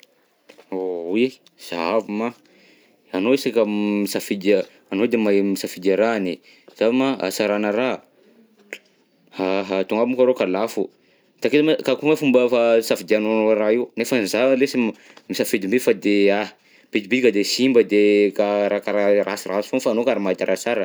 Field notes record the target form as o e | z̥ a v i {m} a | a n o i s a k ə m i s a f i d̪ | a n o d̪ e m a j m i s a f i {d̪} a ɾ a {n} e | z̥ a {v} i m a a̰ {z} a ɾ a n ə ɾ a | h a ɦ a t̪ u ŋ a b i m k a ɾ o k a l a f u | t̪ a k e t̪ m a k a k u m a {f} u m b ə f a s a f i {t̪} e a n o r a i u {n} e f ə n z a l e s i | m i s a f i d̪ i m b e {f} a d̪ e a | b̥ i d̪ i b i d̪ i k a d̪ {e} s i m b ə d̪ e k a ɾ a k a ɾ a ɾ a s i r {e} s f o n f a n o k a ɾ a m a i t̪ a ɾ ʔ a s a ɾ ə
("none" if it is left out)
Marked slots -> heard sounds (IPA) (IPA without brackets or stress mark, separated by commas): m, d̪, n, v, s, f, d̪, n, f, e, a